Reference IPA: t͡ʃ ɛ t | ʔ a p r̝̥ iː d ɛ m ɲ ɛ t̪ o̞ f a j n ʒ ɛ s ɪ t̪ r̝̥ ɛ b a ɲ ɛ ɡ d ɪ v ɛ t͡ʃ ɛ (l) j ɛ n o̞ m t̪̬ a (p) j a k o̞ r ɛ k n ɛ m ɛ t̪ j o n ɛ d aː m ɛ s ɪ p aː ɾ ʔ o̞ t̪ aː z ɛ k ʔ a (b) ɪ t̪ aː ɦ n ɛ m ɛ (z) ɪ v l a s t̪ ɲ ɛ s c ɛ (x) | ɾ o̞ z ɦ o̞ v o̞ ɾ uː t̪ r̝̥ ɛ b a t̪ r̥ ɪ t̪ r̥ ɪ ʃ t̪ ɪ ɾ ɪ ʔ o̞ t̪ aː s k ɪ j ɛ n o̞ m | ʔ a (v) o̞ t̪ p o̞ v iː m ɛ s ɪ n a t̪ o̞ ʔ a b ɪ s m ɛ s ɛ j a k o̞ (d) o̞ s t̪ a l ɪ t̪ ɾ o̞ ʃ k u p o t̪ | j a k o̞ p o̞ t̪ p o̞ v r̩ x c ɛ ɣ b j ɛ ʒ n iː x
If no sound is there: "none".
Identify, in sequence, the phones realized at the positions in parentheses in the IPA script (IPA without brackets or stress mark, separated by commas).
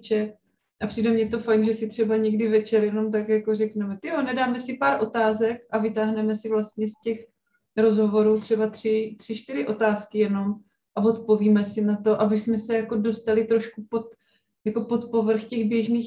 ɾ, k, v, s, x, v, d